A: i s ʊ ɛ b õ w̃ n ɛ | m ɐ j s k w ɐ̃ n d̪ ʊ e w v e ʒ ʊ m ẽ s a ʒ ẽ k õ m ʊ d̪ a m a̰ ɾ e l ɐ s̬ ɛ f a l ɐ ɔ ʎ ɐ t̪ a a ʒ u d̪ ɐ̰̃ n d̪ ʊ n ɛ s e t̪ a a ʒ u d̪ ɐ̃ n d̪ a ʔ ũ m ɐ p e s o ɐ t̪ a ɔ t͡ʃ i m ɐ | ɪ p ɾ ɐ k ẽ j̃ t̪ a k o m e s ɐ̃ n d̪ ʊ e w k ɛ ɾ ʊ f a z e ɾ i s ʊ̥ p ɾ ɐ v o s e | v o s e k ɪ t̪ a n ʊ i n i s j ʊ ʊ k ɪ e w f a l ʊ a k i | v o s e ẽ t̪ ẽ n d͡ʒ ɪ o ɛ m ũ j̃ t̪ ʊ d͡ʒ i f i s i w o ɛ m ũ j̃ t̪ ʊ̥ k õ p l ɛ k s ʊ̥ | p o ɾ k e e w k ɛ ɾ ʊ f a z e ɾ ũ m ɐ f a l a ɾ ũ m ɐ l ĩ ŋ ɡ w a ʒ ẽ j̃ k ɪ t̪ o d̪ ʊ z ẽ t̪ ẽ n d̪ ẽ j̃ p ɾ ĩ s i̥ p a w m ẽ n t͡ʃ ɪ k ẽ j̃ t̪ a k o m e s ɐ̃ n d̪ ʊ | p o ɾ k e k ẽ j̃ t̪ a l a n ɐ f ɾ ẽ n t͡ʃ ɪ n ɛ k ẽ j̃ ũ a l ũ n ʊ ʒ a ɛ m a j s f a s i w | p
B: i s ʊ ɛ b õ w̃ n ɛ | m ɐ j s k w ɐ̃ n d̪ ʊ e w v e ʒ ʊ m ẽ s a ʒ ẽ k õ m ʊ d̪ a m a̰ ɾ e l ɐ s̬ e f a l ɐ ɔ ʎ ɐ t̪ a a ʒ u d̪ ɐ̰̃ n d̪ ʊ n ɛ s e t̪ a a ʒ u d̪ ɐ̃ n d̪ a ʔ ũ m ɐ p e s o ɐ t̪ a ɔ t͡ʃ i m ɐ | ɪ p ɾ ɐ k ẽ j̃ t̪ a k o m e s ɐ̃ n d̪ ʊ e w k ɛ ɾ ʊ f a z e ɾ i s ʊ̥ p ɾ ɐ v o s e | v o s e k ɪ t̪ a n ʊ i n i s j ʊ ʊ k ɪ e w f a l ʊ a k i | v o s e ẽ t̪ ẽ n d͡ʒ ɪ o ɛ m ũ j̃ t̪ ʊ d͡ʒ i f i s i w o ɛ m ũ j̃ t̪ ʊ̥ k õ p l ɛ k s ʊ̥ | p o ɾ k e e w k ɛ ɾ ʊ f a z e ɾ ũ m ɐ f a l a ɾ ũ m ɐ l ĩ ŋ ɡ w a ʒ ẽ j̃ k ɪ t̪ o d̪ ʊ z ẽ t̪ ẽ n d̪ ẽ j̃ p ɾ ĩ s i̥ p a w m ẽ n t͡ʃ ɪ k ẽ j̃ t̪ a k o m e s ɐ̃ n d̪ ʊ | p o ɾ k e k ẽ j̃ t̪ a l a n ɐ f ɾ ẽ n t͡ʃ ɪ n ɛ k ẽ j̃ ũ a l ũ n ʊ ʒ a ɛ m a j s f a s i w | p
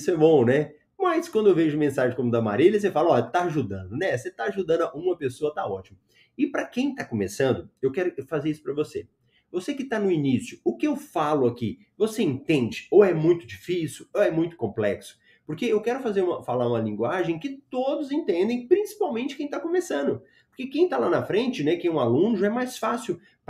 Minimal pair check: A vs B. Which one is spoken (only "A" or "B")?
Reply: B